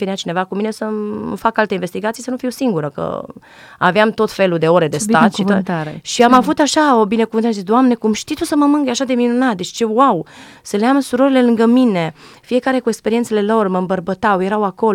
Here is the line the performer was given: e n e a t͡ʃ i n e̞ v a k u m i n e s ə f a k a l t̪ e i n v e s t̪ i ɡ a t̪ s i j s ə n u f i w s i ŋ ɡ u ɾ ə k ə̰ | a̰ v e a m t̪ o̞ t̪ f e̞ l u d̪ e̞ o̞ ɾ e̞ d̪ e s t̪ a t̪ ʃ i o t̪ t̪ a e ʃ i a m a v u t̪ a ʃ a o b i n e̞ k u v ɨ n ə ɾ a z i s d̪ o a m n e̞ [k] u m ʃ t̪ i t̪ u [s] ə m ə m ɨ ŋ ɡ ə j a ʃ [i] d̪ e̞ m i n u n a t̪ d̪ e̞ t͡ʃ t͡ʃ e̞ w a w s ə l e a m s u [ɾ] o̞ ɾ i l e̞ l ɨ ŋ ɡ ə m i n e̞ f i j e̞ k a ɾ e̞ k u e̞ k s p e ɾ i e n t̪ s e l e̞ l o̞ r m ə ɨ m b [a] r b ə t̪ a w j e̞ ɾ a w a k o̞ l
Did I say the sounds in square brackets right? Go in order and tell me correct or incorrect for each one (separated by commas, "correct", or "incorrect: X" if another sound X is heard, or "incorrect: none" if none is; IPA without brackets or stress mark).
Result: correct, correct, incorrect: a, correct, incorrect: ə